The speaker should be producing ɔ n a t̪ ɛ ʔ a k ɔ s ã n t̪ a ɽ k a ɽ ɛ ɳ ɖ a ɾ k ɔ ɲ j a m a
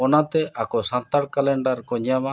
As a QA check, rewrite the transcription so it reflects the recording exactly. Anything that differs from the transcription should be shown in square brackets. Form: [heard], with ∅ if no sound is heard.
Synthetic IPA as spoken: ɔ n a t̪ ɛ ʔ a k ɔ s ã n t̪ a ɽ k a [l] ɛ ɳ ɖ a ɾ k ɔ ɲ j a m a